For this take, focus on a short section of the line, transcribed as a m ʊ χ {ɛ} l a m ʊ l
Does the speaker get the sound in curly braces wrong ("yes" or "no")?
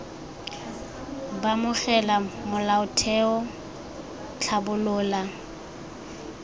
no